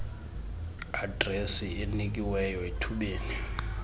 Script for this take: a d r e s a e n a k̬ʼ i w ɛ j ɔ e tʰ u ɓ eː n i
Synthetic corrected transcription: a d r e s i e n i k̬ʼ i w ɛ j ɔ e tʰ u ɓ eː n i